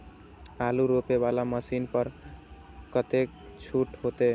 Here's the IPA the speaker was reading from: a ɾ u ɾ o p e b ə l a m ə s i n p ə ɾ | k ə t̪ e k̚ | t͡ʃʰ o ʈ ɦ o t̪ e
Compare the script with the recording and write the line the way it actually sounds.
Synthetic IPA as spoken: a l u ɾ o p e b a l a m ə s i n p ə ɾ | k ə t̪ e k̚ | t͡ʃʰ u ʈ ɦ o t̪ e

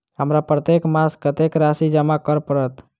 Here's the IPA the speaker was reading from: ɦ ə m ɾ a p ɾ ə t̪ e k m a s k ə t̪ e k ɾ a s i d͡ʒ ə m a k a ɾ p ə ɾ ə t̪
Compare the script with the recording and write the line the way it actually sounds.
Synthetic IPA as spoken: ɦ ə m ɾ a p ɾ ə t̪ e k m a s k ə t̪ e k ɾ a s i d͡ʒ ə m a k ə ɾ p ə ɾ ə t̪

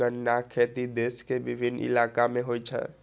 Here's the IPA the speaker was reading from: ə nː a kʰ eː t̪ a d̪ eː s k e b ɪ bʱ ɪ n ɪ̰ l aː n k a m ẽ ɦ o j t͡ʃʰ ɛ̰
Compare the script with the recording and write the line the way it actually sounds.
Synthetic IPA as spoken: ə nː a kʰ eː t̪ i d̪ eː s k e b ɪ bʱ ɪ n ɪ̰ l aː k a m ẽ ɦ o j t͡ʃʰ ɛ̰

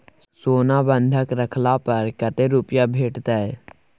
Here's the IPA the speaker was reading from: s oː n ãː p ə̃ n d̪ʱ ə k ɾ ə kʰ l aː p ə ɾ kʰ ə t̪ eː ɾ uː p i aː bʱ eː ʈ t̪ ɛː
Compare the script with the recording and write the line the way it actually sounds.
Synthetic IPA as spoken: s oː n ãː b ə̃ n d̪ʱ ə k ɾ ə kʰ l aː p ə ɾ k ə t̪ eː ɾ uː p j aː bʱ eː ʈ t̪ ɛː

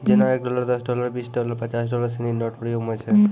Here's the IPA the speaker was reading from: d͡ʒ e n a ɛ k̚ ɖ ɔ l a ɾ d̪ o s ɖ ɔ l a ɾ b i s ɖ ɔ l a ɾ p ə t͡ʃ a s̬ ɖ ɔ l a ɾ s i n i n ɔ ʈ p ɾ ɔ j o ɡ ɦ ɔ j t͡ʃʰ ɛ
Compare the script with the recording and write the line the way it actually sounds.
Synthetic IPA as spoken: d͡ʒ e n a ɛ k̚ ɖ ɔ l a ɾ d̪ ɔ s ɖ ɔ l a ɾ b i s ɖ ɔ l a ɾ p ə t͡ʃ a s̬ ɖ ɔ l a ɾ s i n i n ɔ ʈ p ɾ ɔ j o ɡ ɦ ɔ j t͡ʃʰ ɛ

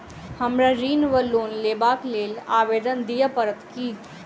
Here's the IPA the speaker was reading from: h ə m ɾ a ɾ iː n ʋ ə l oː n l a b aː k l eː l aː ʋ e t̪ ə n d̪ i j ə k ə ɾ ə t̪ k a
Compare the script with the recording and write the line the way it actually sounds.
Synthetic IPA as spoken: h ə m ɾ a ɾ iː n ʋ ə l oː n l e b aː k l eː l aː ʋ e d̪ ə n d̪ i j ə p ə ɾ ə t̪ k i

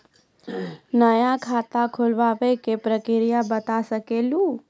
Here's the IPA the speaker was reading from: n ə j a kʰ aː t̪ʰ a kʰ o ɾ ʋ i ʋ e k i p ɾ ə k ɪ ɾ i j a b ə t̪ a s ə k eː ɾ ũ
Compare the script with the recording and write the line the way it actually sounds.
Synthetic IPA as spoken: n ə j a kʰ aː t̪ a kʰ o l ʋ a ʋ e k e p ɾ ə k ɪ ɾ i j a b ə t̪ a s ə k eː l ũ

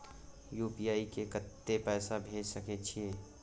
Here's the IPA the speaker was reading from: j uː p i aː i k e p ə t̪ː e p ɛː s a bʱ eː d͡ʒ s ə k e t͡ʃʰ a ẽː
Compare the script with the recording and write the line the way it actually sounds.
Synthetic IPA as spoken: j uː p i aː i k e k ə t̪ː e p ɛː s a bʱ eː d͡ʒ s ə k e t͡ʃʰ i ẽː

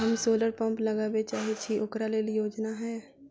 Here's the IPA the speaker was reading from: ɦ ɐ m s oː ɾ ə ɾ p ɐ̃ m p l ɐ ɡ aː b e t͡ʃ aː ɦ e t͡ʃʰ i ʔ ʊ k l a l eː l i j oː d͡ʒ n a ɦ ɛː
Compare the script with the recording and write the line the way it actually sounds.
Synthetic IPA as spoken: ɦ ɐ m s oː l ə ɾ p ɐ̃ m p l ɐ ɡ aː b e t͡ʃ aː ɦ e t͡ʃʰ i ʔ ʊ k ɾ a l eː l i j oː d͡ʒ n a ɦ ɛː

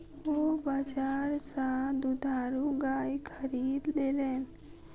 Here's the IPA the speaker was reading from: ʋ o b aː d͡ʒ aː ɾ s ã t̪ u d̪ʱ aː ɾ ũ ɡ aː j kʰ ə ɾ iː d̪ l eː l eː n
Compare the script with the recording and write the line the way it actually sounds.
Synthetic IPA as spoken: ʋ o b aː d͡ʒ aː ɾ s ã d̪ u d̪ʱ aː ɾ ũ ɡ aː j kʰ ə ɾ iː d̪ l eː l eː n

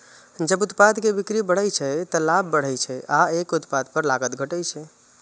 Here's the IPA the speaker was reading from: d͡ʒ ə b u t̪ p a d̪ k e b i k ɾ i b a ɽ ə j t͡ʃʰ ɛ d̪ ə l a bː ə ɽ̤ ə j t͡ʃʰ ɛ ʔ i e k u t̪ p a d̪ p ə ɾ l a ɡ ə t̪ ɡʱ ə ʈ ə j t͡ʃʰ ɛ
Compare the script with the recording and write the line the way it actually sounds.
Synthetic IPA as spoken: d͡ʒ ə b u t̪ p a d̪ k e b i k ɾ i b ə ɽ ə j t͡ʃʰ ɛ t̪ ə l a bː ə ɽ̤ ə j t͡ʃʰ ɛ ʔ a e k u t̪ p a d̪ p ə ɾ l a ɡ ə t̪ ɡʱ ə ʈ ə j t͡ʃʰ ɛ

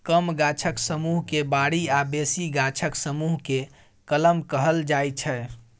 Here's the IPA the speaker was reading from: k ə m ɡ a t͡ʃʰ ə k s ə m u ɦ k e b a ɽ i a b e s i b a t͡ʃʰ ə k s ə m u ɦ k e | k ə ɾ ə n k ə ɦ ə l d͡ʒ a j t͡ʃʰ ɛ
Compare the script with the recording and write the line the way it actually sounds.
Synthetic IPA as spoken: k ə m ɡ a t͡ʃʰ ə k s ə m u ɦ k e b a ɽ i a b e s i ɡ a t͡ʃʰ ə k s ə m u ɦ k e | k ə l ə m k ə ɦ ə l d͡ʒ a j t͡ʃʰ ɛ

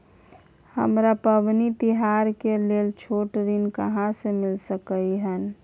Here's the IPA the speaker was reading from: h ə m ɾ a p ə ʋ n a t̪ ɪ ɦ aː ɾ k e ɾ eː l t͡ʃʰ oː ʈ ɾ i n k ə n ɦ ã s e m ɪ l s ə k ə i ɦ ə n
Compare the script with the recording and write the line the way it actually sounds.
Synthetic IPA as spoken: h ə m ɾ a p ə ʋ n i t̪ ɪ ɦ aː ɾ k e l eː l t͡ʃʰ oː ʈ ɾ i n k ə ɦ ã s e m ɪ l s ə k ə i ɦ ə n

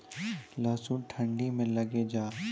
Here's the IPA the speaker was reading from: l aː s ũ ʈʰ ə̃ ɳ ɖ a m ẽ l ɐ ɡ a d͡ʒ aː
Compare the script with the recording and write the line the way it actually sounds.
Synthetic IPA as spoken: l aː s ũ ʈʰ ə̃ ɳ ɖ i m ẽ l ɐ ɡ e d͡ʒ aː

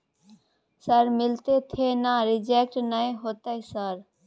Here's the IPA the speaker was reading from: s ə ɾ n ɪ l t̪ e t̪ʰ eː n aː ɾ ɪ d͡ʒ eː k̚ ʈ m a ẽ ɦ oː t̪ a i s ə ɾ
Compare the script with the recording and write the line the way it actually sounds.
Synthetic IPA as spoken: s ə ɾ m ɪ l t̪ e t̪ʰ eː n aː ɾ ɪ d͡ʒ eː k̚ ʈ n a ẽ ɦ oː t̪ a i s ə ɾ

